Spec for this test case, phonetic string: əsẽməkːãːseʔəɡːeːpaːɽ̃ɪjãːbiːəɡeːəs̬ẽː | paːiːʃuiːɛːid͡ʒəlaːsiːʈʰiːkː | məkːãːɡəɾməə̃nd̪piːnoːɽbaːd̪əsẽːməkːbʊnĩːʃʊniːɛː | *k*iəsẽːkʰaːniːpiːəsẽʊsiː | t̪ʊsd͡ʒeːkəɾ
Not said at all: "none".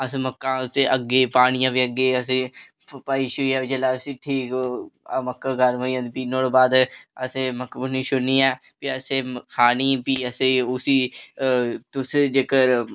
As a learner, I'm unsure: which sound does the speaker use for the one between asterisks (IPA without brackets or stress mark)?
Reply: p